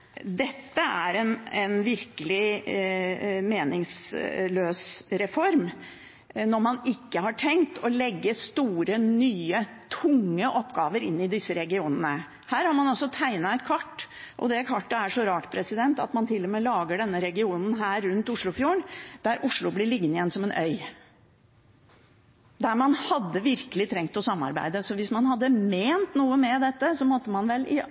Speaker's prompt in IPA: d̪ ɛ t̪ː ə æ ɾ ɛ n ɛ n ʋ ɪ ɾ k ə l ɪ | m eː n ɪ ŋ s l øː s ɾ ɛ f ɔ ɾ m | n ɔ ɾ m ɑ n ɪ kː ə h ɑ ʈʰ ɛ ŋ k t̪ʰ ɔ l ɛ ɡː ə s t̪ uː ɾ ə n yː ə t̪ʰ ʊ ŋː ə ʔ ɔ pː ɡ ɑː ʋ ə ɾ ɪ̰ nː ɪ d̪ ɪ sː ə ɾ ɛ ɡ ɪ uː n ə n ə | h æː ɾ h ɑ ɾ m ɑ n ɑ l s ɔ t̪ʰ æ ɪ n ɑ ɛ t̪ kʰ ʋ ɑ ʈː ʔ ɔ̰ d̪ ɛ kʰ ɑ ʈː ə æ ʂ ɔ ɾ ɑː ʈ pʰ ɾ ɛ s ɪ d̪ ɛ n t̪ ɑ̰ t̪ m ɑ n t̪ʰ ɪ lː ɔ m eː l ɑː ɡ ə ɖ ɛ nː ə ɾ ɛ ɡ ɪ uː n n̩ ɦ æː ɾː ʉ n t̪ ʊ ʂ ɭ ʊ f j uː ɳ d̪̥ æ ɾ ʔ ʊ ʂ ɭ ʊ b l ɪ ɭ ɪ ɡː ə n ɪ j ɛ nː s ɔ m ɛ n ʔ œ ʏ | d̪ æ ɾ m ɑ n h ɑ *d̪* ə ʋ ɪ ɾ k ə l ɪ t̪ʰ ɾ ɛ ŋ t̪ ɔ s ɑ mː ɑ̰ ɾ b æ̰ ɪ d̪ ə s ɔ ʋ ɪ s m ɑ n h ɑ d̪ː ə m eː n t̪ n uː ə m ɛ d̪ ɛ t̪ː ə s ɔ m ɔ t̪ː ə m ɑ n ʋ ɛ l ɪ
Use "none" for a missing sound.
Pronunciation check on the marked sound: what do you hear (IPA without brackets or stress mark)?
d̪ː